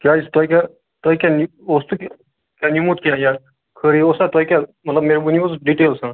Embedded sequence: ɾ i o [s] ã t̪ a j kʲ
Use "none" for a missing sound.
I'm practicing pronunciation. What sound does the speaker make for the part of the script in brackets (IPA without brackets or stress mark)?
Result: s